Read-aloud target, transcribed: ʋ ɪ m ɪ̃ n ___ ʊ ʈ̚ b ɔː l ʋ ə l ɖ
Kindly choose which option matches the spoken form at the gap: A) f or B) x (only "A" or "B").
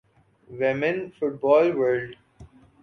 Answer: A